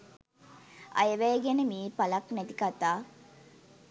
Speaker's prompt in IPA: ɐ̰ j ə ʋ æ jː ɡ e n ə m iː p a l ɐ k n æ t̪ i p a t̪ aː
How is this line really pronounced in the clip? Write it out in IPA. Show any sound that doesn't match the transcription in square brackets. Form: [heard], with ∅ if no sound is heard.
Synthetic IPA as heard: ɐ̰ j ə ʋ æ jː ɡ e n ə m iː p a l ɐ k n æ t̪ i [k] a t̪ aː

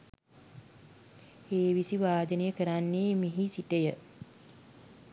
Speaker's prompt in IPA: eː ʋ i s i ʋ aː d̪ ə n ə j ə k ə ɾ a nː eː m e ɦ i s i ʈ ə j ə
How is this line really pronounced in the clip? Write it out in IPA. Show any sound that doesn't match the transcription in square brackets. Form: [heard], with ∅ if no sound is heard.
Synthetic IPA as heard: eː ʋ i s i ʋ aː d̪ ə n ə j ə k ə ɾ a nː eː m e ɦ i s i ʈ ə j ə

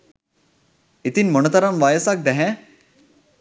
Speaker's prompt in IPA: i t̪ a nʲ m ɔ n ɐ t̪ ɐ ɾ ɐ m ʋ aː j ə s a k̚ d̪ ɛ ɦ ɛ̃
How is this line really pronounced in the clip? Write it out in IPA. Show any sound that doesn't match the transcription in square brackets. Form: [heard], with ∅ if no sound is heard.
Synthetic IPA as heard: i t̪ [i] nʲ m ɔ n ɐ t̪ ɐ ɾ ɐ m ʋ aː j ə s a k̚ d̪ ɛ ɦ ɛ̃

